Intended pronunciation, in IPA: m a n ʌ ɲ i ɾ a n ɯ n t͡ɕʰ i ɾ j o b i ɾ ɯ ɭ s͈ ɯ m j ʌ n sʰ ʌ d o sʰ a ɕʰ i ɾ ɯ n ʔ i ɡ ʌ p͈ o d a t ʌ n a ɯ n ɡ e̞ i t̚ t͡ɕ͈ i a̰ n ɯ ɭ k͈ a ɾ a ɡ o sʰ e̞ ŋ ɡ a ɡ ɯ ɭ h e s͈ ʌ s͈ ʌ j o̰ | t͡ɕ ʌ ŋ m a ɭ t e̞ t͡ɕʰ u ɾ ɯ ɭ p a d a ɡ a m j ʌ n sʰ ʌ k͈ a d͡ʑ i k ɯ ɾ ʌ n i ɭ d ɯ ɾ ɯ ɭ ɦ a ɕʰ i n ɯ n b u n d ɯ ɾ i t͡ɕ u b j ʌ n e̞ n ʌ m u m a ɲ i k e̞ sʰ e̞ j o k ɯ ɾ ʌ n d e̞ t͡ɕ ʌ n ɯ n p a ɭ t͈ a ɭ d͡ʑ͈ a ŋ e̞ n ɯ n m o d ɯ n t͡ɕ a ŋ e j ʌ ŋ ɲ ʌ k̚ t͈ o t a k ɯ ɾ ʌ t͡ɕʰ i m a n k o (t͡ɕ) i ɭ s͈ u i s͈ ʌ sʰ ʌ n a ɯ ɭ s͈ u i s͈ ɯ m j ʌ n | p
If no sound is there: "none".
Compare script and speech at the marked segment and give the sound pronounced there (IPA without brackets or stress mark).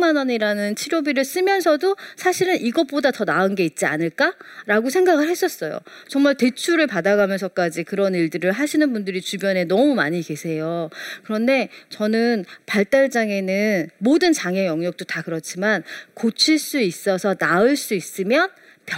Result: t͡ɕʰ